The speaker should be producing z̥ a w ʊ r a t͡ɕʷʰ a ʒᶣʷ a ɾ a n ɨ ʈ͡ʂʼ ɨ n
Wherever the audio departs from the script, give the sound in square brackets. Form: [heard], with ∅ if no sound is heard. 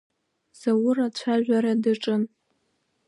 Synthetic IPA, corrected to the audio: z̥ a w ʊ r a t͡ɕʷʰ a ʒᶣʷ a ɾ a [d] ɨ ʈ͡ʂʼ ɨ n